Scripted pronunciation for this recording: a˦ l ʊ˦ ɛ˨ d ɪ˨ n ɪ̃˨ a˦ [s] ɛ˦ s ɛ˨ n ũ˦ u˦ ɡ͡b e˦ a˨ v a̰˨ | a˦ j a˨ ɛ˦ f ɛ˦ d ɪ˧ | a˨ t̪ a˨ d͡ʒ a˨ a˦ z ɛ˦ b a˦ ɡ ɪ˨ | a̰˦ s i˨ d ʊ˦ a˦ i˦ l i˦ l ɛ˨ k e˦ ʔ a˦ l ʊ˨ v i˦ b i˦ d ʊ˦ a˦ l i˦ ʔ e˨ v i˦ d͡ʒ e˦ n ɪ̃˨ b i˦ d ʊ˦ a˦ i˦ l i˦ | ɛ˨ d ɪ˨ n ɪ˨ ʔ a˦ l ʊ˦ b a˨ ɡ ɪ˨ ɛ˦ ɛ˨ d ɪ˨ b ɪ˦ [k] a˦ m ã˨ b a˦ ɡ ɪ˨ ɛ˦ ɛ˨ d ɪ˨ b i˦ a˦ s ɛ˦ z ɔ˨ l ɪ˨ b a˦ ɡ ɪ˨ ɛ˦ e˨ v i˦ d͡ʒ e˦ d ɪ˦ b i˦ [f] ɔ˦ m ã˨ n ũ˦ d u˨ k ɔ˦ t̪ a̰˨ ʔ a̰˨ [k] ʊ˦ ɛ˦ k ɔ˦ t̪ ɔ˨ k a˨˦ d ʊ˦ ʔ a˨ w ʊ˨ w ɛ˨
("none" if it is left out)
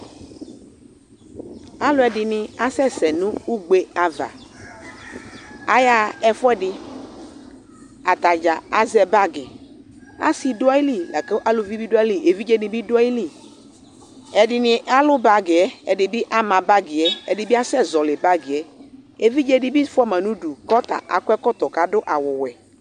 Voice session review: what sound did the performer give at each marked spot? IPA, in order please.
s, ʔ, f, k

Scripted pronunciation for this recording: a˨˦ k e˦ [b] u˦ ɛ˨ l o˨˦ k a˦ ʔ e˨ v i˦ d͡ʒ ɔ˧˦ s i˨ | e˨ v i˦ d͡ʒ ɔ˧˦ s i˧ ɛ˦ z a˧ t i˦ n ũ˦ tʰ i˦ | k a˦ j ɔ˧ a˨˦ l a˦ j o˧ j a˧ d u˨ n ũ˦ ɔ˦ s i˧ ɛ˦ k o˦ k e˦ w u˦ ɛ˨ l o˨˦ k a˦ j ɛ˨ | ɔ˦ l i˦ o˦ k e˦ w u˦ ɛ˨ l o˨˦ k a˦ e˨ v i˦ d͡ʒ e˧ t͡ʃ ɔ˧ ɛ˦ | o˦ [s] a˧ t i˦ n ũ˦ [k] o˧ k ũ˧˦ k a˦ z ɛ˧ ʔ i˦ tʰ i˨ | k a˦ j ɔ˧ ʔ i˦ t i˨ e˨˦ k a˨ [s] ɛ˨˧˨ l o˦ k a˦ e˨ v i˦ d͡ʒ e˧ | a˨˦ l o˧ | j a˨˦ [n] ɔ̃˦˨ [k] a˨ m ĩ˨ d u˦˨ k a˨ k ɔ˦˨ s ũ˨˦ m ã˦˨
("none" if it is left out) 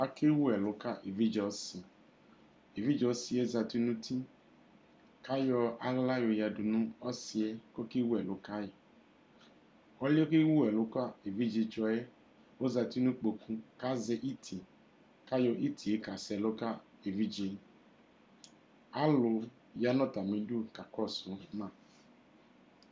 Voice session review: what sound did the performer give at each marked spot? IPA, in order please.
w, z, k͡p, s, n, t

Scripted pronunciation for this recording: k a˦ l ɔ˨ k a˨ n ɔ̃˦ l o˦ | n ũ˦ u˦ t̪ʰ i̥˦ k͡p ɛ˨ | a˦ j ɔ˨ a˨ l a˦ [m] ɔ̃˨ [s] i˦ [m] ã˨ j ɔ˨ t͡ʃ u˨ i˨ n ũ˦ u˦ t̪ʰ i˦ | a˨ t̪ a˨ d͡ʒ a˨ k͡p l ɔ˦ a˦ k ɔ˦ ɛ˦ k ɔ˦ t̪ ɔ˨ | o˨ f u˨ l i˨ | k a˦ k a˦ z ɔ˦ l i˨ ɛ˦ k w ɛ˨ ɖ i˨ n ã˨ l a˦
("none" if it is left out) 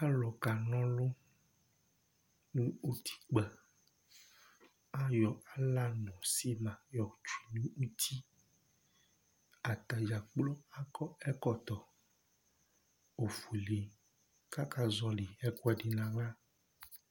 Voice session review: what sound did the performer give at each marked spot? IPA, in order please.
n, s, m

